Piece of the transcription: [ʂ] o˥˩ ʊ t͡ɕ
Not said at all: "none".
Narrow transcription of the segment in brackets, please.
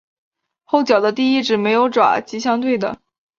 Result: x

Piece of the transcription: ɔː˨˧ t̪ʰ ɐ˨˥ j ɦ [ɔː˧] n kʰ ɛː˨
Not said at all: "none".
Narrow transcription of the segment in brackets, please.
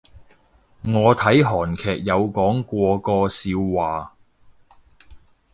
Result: ɔː˨˩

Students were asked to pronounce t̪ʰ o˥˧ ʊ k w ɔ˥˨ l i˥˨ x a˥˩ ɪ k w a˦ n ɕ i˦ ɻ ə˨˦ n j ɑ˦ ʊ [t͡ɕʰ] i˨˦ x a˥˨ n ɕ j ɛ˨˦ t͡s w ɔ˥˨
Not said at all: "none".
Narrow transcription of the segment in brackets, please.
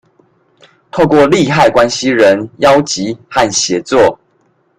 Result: t͡ɕ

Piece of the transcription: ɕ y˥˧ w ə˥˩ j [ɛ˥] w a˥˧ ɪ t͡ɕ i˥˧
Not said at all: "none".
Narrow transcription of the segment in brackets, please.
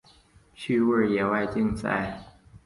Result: ɛ˨˩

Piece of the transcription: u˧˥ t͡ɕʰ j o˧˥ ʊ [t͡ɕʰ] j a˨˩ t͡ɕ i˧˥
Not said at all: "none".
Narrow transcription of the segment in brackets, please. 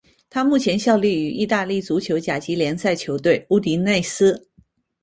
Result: t͡ɕ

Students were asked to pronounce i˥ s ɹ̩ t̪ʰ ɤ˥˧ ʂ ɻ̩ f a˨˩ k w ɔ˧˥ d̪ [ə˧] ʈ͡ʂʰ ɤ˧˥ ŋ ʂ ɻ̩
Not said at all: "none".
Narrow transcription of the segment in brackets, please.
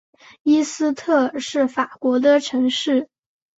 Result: ə˧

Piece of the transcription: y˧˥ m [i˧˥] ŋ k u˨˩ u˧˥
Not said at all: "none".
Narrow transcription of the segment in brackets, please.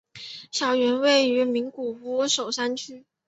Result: i˧˥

